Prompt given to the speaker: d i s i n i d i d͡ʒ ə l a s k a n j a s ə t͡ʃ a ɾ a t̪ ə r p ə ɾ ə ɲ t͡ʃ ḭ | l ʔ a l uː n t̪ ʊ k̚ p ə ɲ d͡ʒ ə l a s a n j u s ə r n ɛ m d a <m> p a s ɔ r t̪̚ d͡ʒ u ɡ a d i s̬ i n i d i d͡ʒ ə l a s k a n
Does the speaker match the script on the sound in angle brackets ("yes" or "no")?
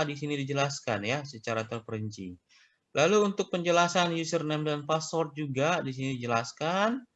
no